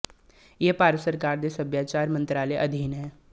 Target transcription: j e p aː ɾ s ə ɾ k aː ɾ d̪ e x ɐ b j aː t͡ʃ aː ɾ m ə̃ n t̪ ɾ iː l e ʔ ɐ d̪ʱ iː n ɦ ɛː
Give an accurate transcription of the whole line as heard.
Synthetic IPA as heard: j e p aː ɾ s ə ɾ k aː ɾ d̪ e s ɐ b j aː t͡ʃ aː ɾ m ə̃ n t̪ ɾ aː l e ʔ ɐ d̪ʱ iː n ɦ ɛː